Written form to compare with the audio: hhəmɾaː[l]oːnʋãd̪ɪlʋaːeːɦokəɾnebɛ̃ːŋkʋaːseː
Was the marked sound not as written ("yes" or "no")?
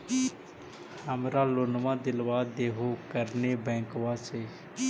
no